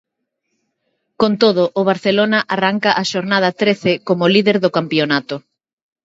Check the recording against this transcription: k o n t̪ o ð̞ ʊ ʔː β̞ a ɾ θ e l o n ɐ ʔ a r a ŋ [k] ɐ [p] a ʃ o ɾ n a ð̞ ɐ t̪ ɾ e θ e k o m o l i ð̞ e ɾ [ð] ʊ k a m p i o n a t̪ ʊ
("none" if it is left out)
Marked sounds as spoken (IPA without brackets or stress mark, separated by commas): k, ʔ, ð